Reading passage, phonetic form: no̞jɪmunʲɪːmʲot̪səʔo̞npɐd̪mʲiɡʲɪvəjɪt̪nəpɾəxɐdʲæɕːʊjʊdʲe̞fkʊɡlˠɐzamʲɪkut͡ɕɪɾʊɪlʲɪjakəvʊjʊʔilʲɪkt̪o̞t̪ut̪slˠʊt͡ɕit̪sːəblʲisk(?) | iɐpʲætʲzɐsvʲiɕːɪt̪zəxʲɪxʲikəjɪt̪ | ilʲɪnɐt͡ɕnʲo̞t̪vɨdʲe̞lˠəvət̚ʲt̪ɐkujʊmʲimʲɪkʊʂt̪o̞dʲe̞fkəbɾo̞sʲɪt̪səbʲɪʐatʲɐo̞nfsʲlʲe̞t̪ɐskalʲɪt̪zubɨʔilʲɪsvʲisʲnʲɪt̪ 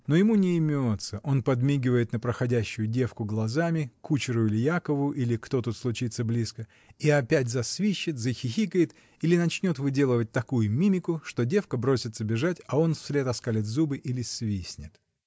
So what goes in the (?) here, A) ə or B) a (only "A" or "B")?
A